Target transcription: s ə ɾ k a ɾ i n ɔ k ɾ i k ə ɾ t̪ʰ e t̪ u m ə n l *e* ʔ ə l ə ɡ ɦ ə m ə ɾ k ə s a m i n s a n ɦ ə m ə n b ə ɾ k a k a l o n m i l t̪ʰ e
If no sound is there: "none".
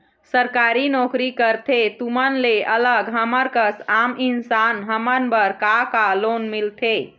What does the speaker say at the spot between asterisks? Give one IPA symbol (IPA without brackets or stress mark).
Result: e